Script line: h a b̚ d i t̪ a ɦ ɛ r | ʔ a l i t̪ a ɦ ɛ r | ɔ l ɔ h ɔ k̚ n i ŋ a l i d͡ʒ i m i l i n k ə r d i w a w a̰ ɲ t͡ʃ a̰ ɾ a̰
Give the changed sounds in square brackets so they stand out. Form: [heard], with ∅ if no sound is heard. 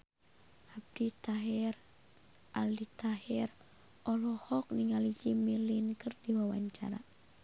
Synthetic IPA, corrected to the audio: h a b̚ d i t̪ a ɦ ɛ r | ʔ a l i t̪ a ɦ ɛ r | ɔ l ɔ h ɔ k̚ n i ŋ a l i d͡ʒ i m i l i n k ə r d i w a w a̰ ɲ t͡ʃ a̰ ɾ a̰